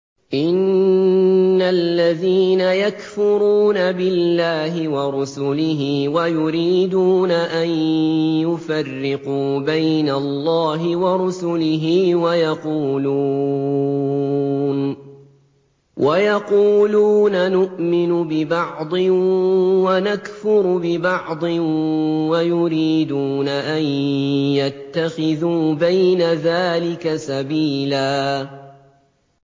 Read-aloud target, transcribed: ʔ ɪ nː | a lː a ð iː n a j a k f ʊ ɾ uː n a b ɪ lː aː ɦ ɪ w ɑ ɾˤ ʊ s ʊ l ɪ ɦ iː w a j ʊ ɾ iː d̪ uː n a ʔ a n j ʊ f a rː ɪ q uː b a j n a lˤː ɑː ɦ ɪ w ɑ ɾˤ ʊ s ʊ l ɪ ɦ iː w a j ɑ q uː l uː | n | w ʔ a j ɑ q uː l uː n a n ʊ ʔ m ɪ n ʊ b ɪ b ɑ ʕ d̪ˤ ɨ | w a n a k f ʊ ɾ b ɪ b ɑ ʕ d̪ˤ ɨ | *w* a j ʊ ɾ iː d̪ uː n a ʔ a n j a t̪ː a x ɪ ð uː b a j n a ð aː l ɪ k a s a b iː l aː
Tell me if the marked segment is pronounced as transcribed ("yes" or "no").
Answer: yes